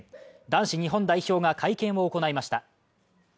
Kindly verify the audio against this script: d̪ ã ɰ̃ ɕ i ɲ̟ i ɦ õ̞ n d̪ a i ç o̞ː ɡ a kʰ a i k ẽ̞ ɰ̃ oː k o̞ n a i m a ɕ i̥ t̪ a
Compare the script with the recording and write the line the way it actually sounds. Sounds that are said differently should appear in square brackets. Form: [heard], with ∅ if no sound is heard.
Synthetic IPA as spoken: d̪ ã ɰ̃ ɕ i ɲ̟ i ɦ õ̞ n d̪ a i ç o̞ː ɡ a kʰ a i k ẽ̞ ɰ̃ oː k o̞ n a i m a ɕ i̥ t̪ a